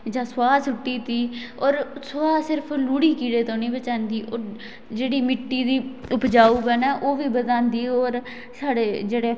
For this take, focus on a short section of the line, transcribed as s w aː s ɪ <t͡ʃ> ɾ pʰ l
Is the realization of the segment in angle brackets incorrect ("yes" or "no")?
yes